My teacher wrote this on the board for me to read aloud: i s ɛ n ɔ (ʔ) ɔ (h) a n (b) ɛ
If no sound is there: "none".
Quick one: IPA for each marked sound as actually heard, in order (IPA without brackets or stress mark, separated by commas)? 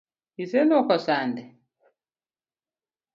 k, s, d